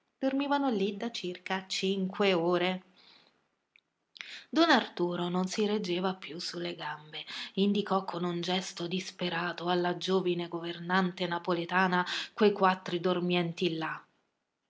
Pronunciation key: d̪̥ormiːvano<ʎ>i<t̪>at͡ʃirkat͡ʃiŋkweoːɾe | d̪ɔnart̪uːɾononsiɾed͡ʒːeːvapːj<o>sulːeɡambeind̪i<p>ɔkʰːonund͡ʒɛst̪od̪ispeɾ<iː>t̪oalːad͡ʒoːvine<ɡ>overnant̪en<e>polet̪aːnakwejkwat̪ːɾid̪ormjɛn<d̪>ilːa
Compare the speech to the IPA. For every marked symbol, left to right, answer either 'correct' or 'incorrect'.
incorrect: l, incorrect: d̪, incorrect: u, incorrect: k, incorrect: aː, correct, incorrect: a, incorrect: t̪

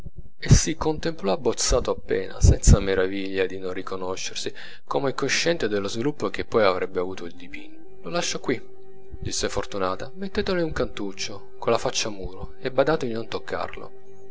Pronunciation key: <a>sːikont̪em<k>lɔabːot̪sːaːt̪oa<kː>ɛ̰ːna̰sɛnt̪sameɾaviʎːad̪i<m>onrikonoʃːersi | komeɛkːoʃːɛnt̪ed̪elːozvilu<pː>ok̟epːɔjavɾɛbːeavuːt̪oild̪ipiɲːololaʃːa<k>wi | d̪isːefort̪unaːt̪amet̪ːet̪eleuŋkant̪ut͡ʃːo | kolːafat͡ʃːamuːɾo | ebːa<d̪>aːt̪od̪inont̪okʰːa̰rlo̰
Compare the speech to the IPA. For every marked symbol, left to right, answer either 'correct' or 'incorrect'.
incorrect: e, incorrect: p, incorrect: pː, incorrect: n, correct, correct, correct

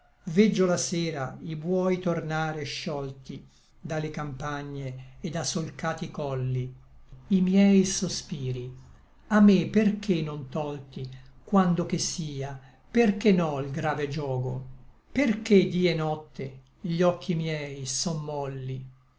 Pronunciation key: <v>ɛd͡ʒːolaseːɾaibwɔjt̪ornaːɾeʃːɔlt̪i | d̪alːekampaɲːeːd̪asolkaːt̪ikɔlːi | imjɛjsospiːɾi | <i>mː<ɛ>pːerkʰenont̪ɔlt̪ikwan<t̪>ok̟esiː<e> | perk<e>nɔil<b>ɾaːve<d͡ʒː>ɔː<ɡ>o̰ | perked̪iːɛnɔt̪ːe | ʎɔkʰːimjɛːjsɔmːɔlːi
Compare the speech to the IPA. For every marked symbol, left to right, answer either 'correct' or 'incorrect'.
correct, incorrect: a, incorrect: e, incorrect: d̪, incorrect: a, correct, incorrect: ɡ, incorrect: d͡ʒ, correct

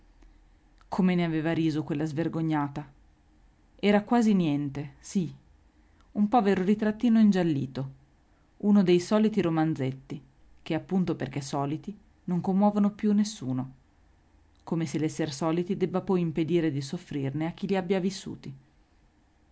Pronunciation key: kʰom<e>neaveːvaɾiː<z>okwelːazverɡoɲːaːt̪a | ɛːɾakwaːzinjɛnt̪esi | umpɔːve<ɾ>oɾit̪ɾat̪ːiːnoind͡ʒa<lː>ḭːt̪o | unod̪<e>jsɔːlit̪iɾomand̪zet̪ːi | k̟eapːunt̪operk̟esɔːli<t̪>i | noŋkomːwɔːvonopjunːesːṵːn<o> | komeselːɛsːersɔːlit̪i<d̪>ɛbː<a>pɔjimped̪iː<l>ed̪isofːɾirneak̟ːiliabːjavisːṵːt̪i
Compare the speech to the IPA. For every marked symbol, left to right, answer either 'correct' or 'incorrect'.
correct, correct, correct, correct, correct, correct, correct, correct, correct, incorrect: ɾ

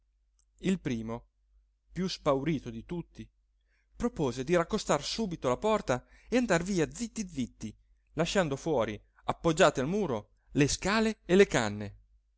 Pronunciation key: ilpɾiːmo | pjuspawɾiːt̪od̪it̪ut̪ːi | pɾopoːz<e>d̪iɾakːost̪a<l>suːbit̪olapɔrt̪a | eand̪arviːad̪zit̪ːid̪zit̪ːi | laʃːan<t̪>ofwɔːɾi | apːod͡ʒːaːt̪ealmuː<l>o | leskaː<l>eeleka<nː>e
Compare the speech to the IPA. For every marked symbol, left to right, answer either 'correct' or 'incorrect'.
correct, incorrect: r, incorrect: d̪, incorrect: ɾ, correct, correct

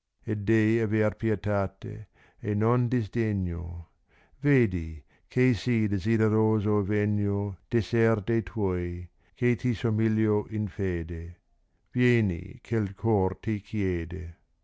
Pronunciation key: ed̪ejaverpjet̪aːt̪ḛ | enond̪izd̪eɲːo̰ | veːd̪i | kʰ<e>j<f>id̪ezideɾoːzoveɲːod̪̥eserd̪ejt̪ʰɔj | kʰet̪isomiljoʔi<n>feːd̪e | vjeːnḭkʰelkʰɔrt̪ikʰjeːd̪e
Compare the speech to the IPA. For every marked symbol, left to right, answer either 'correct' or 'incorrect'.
correct, incorrect: s, correct

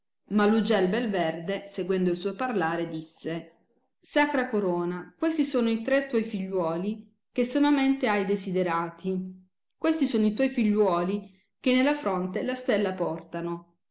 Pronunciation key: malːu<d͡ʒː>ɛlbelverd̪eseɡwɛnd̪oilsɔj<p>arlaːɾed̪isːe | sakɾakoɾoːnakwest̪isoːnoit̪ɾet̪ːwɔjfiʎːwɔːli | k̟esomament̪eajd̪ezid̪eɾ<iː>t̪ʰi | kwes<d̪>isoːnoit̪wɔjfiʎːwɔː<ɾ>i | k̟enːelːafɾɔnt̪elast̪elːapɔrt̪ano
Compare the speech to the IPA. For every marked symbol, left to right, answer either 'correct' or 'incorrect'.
incorrect: d͡ʒ, correct, incorrect: aː, incorrect: t̪, incorrect: l

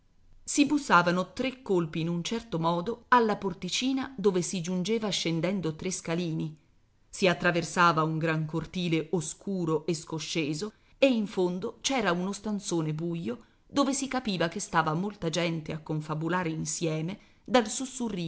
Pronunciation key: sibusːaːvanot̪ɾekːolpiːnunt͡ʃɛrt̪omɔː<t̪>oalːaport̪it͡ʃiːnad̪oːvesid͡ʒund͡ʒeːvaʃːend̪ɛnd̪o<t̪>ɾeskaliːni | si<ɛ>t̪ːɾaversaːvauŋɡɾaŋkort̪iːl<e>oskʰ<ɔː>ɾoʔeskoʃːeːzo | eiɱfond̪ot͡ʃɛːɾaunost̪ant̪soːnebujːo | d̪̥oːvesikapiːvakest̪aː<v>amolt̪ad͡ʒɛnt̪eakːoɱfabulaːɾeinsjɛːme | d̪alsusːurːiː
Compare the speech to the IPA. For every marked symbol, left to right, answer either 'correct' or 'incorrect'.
incorrect: d̪, correct, incorrect: a, correct, incorrect: uː, correct

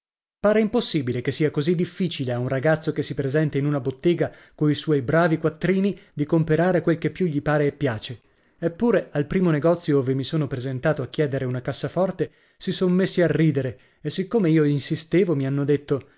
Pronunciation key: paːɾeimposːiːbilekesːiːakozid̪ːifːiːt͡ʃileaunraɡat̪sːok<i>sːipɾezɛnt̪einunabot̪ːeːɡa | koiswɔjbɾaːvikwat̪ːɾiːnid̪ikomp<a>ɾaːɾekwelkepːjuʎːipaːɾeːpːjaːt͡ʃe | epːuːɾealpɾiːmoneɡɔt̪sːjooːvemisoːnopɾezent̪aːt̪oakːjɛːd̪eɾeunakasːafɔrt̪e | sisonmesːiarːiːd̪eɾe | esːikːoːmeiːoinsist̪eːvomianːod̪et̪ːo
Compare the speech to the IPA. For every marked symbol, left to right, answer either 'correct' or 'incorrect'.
incorrect: e, incorrect: e

